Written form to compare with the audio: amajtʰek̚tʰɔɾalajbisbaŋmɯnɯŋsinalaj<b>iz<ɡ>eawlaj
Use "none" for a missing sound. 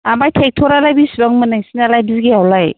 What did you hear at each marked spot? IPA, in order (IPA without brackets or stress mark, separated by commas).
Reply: b, ɡ